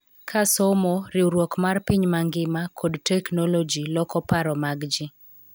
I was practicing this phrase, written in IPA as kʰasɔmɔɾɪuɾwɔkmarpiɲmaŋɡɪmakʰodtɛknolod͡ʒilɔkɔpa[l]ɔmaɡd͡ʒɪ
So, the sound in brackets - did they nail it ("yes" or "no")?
no